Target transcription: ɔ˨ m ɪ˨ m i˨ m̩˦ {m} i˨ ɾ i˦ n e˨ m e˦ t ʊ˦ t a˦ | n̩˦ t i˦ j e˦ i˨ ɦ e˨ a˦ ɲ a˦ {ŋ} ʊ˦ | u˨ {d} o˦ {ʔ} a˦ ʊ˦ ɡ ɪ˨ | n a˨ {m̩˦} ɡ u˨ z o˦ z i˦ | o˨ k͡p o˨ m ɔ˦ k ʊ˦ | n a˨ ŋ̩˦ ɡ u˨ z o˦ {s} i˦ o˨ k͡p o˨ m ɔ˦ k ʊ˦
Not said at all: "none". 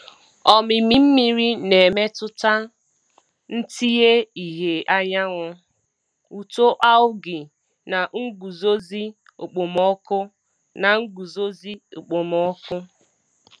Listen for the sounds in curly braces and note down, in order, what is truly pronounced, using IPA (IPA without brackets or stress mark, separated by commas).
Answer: m, ŋ, t, ʔ, ŋ̩˦, z